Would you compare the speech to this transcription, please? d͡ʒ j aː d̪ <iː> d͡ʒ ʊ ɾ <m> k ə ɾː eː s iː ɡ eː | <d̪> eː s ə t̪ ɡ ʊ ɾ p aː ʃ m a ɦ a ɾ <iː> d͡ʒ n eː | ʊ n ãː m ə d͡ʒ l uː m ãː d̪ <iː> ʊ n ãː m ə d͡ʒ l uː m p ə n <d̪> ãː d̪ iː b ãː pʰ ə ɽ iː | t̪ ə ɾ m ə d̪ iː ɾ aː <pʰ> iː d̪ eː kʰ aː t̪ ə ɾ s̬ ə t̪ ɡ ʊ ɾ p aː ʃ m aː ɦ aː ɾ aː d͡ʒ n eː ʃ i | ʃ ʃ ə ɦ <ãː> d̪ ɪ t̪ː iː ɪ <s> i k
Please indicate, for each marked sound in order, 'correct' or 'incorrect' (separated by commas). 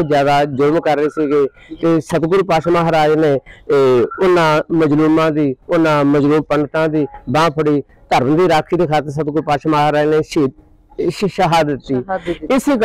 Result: incorrect, correct, incorrect, incorrect, correct, incorrect, incorrect, incorrect, correct